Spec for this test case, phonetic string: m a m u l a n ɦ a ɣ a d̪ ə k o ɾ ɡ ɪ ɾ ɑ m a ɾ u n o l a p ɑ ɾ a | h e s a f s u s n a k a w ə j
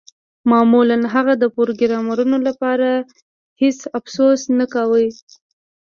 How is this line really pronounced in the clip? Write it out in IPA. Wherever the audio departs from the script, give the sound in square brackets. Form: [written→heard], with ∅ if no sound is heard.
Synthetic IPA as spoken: m [a→ɑ] m u l a n ɦ a ɣ a d̪ ə [k→p] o ɾ ɡ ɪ ɾ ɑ m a ɾ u n o l a p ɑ ɾ a | h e s a f s [u→o] s n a k a w ə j

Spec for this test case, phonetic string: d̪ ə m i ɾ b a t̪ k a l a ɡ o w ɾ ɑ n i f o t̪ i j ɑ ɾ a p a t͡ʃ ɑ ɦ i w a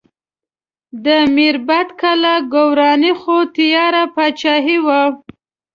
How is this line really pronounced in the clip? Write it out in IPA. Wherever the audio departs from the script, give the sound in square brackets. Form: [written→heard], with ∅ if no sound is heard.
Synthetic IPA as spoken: d̪ ə m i ɾ b a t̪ k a l a ɡ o w ɾ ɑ n i [f→x] o t̪ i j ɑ ɾ a p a t͡ʃ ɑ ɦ i w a

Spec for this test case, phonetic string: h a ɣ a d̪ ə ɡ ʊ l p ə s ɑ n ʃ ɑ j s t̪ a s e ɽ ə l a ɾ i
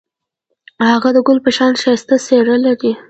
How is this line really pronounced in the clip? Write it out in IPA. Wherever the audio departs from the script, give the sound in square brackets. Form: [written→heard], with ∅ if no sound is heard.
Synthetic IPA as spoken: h a ɣ a d̪ ə ɡ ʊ l p ə [s→ʃ] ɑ n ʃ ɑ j s t̪ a s e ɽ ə l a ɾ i

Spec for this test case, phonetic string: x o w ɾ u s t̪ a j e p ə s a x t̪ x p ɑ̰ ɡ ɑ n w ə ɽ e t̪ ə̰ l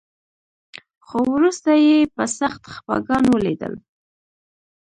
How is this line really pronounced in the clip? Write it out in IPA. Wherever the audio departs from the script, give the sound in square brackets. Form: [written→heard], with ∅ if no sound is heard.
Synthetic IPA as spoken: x o w ɾ u s t̪ a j e p ə s a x t̪ x p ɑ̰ ɡ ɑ n w ə [ɽ→l] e [t̪→d̪] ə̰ l

